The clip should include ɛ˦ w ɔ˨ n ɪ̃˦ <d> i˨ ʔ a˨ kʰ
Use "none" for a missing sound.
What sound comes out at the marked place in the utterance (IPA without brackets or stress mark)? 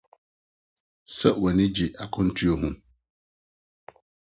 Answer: d͡ʑ